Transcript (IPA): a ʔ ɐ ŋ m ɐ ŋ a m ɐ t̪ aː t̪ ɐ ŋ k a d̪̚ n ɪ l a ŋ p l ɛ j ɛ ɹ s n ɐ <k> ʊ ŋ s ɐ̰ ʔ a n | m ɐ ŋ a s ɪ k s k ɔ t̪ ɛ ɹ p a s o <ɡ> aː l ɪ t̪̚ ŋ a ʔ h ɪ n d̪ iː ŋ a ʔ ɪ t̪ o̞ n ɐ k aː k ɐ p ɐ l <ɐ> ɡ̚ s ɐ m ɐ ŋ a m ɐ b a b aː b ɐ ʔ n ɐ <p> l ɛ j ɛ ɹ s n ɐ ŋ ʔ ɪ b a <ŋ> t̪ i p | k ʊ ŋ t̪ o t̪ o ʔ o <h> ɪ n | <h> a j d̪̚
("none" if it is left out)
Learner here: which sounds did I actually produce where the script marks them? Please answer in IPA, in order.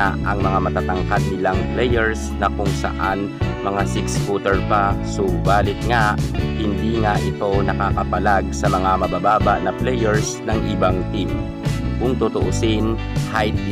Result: k, b, a, p, ŋ, s, h

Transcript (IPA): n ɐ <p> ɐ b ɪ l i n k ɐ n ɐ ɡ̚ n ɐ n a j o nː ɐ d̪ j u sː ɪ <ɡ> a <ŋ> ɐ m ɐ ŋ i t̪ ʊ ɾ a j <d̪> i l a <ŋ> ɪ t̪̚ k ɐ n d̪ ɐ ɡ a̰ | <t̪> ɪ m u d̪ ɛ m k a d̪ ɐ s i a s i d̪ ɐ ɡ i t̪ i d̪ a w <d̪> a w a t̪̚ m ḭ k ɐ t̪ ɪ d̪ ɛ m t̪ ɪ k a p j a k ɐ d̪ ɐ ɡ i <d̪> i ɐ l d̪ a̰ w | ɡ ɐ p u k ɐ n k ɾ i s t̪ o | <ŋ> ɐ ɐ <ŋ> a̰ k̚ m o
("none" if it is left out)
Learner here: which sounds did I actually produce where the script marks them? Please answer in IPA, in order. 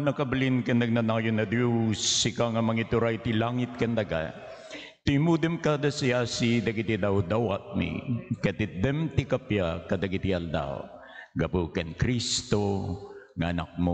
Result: k, k, ŋ, t̪, ŋ, t̪, d̪, t̪, ŋ, n

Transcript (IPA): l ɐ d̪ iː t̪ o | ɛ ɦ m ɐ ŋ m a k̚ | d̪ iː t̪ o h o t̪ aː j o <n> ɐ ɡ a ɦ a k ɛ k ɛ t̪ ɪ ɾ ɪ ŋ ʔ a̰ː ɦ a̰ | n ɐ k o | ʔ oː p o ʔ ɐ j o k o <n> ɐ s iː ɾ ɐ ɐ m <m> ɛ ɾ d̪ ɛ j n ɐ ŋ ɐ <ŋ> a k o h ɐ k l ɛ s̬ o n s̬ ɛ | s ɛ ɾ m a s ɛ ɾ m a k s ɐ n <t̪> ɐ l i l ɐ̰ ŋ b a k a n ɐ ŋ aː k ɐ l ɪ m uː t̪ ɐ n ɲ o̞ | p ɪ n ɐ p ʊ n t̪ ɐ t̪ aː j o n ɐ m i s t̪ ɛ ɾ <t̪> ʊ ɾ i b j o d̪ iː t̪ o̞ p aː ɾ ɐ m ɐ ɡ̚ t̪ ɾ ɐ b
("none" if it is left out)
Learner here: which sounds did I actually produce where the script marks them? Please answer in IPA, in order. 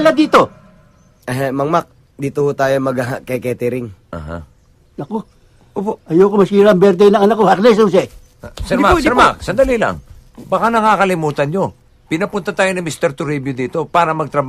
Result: m, m, b, n, d̪, t̪

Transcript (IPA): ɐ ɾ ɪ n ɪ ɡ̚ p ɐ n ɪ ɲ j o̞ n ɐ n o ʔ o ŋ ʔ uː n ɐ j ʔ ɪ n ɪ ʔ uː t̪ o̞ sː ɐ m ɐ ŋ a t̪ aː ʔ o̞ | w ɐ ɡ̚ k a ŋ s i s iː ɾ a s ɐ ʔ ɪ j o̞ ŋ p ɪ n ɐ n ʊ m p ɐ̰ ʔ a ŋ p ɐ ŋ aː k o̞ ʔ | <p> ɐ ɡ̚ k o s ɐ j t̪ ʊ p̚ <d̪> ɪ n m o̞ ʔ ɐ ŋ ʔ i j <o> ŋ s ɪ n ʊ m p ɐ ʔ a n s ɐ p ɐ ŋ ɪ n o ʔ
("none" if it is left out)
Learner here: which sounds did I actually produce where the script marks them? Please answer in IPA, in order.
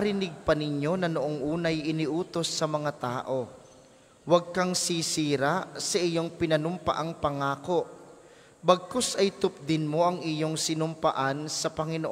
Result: b, d̪, o

